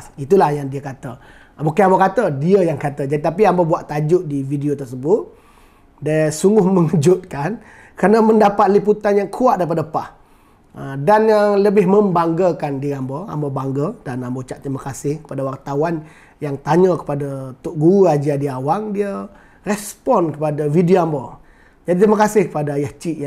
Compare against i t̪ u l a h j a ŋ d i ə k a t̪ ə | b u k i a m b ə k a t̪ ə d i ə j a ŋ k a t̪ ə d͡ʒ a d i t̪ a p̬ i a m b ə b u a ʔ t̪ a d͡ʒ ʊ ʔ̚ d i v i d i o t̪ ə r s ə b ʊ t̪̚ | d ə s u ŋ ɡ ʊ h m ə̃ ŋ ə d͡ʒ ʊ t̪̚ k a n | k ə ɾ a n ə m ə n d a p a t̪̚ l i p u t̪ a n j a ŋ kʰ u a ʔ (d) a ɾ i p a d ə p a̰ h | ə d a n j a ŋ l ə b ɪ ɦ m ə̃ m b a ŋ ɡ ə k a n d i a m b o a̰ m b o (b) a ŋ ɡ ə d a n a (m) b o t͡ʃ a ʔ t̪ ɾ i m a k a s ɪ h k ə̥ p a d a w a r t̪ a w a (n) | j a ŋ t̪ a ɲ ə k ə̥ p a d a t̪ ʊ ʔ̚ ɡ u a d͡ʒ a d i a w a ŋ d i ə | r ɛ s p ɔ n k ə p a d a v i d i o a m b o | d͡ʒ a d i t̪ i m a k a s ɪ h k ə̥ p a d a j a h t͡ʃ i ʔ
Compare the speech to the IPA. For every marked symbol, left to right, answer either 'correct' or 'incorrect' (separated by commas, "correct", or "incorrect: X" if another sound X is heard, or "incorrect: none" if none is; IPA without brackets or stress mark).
correct, correct, correct, correct